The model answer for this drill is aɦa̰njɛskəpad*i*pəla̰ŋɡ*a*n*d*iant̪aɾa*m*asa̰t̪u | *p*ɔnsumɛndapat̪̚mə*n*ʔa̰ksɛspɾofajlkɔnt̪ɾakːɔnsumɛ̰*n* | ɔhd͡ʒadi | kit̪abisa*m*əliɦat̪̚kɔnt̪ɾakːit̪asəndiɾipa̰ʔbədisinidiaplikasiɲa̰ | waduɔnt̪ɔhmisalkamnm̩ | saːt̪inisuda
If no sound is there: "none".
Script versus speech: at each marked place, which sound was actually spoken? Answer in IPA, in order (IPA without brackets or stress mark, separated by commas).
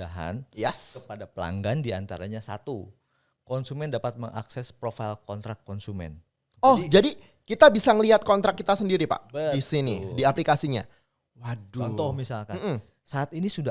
a, a, d, ɲ, k, ŋ, n, ŋ